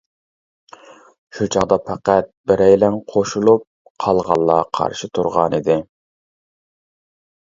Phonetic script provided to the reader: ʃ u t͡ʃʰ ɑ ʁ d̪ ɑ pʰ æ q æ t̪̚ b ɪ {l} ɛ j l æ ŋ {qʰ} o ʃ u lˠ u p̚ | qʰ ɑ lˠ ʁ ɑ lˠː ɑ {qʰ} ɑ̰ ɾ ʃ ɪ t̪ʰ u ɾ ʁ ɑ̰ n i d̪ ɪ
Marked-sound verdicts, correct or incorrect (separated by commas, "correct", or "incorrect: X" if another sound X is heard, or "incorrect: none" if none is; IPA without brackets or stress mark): incorrect: ɾ, correct, correct